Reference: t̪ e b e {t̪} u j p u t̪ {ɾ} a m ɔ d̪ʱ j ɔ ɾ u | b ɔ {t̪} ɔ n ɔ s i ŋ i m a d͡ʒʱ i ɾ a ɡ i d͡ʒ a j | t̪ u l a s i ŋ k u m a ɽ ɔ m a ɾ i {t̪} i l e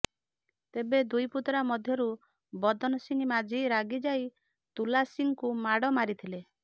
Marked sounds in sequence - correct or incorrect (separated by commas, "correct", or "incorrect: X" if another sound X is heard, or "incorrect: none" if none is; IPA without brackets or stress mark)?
incorrect: d̪, correct, incorrect: d̪, incorrect: t̪ʰ